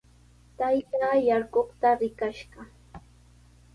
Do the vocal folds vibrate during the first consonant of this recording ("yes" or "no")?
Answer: no